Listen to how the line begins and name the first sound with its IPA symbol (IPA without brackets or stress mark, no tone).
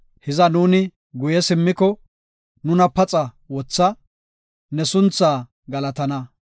h